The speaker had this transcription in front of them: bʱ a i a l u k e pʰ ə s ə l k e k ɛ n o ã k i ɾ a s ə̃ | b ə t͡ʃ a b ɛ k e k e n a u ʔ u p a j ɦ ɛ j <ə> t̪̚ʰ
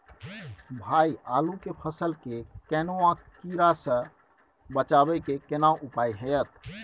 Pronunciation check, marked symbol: correct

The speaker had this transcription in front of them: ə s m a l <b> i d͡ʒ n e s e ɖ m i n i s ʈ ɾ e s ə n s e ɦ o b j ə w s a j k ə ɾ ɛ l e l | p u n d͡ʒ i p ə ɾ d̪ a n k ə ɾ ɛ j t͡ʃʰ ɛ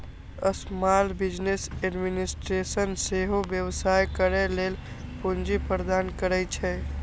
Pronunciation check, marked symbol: correct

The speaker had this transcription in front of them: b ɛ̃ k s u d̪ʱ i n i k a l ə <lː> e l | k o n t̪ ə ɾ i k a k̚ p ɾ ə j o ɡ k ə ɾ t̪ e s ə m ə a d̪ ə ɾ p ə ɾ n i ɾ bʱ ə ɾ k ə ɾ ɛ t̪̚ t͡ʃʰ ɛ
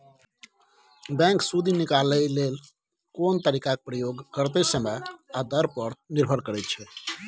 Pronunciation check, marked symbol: incorrect: l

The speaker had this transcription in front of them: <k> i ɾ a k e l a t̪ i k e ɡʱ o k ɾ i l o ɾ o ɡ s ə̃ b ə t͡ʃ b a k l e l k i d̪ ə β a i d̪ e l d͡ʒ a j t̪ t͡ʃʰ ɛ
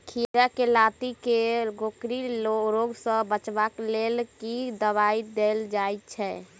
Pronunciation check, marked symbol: incorrect: kʰ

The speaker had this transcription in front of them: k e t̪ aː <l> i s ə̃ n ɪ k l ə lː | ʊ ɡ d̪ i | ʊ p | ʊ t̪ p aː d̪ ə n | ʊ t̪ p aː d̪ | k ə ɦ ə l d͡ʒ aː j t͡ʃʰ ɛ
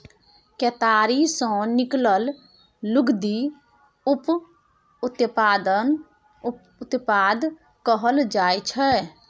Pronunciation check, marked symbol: incorrect: ɾ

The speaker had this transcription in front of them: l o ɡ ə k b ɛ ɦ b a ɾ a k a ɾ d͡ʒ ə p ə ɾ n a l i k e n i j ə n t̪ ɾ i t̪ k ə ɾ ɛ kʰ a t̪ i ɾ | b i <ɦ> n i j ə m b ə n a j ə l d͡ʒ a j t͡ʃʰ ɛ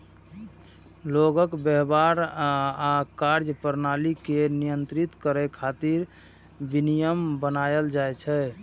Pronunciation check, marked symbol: incorrect: none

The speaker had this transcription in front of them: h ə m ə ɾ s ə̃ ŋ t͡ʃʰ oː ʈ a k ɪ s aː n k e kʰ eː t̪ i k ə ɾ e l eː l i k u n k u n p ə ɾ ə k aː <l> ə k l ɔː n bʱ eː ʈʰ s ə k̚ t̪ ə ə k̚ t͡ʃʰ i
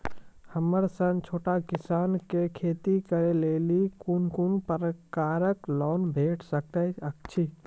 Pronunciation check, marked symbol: incorrect: ɾ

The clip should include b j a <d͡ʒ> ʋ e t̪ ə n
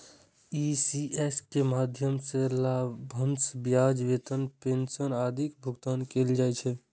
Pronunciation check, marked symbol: correct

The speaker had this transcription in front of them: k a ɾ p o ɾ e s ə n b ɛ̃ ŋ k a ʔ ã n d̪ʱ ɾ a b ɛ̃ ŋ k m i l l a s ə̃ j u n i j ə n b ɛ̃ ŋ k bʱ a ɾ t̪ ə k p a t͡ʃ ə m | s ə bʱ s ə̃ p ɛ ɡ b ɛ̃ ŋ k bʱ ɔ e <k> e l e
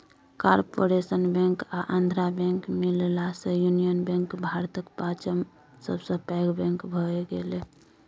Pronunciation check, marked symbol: incorrect: ɡ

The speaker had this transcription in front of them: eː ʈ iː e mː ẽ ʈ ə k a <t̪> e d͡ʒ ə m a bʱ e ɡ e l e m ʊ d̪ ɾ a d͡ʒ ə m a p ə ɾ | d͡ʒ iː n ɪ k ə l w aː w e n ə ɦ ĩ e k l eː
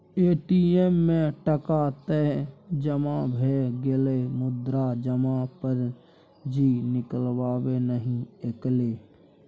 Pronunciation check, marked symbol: correct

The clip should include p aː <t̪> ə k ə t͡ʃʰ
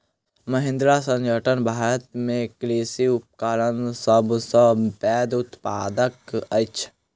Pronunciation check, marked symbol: incorrect: d̪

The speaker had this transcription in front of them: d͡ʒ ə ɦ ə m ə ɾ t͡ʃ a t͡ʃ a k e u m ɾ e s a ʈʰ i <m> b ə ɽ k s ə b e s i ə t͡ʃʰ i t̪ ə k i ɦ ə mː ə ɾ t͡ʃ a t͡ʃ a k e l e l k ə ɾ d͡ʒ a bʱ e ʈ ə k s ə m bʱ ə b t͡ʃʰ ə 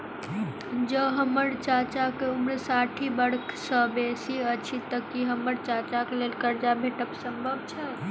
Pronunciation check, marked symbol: incorrect: none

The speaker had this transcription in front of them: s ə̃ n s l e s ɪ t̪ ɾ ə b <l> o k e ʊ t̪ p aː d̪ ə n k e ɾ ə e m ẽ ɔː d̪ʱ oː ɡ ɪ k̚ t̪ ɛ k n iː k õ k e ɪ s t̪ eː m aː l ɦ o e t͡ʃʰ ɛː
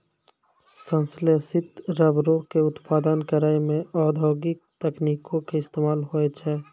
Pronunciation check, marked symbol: incorrect: ɾ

